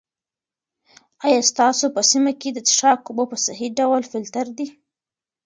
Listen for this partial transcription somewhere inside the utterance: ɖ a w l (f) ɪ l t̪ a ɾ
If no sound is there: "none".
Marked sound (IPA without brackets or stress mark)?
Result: f